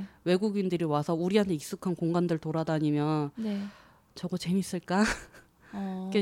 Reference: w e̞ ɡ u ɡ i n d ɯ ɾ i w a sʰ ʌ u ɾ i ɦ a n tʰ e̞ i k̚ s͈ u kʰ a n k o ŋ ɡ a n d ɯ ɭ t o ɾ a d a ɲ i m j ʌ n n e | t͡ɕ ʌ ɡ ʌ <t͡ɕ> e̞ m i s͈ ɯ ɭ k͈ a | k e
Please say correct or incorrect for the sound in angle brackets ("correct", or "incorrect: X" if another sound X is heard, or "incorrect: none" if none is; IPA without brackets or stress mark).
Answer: correct